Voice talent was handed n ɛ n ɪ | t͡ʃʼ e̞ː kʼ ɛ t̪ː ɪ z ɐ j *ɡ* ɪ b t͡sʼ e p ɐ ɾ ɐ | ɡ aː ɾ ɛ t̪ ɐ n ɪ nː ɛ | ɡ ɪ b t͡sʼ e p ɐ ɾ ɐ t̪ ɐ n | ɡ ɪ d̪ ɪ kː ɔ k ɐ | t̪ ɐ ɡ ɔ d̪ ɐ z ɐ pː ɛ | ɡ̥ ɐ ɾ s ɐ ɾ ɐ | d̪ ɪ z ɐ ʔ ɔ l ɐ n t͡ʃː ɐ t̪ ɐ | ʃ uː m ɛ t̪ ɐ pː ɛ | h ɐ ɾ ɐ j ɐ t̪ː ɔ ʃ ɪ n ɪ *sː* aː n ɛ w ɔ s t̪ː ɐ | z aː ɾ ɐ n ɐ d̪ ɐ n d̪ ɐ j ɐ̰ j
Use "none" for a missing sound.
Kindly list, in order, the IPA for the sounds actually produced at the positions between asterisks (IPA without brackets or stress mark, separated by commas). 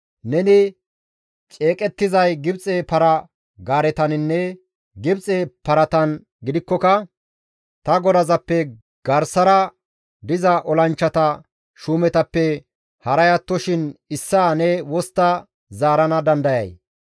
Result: ɡ, sː